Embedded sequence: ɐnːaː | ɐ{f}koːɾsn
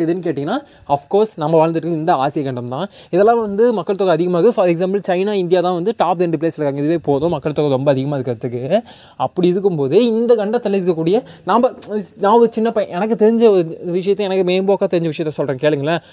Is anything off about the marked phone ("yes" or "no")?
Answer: no